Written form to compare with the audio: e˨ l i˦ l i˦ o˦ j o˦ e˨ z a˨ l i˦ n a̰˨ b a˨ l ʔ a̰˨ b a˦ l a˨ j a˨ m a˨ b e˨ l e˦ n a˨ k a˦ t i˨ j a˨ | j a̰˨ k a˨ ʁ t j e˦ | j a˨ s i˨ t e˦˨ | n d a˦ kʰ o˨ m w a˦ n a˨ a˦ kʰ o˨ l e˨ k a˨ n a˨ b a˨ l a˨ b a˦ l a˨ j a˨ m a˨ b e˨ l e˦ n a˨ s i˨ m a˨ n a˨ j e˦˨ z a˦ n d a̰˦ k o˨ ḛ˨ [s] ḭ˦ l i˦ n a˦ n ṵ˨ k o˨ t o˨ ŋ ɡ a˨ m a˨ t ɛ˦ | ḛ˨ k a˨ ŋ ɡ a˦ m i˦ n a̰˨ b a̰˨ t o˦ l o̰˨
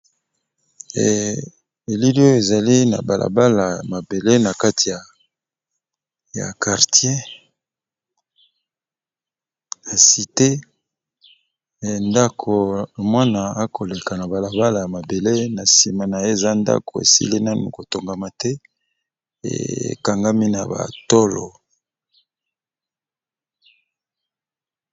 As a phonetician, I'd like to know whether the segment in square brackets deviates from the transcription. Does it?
no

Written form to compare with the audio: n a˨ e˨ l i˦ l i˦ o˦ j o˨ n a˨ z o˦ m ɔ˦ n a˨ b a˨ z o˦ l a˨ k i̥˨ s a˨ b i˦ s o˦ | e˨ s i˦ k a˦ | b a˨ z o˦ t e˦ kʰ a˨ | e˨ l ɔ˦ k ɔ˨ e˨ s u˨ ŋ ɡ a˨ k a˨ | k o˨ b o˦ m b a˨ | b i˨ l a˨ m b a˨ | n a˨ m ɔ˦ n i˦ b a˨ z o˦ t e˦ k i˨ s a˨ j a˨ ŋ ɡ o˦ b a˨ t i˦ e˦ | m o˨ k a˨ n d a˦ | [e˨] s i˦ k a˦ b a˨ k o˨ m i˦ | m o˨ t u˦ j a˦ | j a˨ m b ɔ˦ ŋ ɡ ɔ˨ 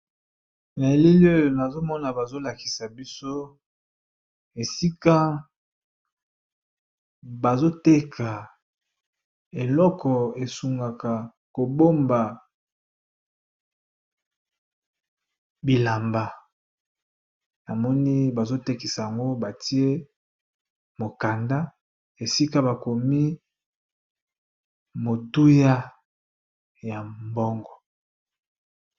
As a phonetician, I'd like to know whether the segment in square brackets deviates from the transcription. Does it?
no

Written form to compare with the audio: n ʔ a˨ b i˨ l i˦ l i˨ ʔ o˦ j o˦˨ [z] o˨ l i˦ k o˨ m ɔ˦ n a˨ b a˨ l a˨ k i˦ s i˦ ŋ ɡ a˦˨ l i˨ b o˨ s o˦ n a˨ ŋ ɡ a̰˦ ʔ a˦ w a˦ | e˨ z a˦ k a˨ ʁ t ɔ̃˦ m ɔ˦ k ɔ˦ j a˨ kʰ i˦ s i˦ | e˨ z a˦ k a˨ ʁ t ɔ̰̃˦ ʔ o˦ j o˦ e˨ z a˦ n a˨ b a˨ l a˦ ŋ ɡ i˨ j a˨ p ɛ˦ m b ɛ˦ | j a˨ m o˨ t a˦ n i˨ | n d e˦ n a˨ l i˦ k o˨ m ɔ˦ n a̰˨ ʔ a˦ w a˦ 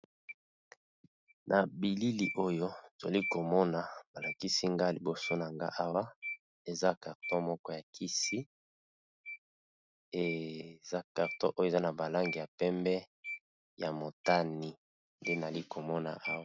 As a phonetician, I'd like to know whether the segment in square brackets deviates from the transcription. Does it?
no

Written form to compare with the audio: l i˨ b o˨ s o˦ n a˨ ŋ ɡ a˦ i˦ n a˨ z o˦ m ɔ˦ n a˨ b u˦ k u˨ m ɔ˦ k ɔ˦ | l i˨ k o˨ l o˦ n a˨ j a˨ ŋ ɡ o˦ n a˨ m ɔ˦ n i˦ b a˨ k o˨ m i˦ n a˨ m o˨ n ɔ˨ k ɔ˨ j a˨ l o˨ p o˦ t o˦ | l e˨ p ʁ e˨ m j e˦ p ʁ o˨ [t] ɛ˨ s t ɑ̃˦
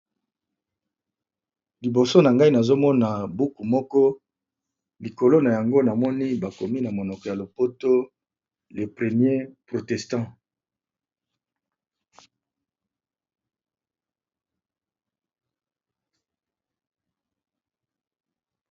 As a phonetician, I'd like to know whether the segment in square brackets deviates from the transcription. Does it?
no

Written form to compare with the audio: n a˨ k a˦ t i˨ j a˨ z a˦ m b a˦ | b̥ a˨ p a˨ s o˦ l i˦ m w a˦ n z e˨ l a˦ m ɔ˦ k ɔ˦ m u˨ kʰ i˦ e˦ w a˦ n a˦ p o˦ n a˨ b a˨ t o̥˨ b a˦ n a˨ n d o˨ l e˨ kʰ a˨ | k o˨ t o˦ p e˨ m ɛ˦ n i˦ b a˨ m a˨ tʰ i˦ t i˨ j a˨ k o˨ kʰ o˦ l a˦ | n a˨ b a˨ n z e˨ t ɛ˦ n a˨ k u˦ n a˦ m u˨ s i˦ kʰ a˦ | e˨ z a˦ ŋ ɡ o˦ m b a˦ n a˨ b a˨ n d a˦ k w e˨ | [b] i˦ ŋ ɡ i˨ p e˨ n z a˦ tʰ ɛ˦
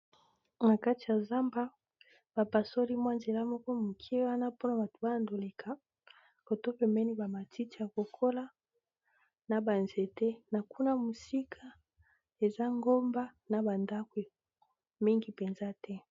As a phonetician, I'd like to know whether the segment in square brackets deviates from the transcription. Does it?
yes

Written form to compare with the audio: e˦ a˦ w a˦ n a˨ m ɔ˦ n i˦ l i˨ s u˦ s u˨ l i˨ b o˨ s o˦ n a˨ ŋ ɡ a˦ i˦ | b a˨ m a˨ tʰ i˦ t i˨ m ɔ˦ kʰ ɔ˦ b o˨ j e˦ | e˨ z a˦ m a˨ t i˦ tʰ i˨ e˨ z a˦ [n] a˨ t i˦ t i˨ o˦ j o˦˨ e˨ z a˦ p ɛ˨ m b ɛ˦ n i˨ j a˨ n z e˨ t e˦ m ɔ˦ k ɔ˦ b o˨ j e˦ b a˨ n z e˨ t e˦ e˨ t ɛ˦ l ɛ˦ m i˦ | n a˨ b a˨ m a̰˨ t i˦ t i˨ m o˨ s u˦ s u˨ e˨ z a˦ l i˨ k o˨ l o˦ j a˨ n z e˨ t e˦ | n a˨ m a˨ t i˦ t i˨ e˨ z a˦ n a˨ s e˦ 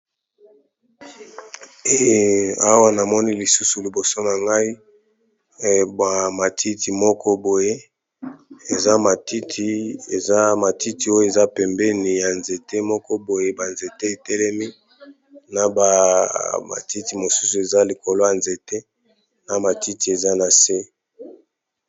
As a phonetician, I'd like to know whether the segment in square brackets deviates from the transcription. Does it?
yes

